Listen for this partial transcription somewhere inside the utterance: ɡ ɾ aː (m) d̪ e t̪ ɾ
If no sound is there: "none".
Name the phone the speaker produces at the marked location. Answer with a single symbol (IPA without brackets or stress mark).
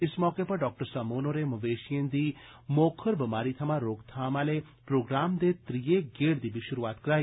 m